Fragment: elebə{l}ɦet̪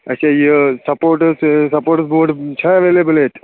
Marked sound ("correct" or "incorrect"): correct